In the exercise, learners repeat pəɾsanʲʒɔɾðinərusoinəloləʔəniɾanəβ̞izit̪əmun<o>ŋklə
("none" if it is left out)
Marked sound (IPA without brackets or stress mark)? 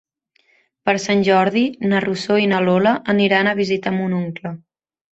u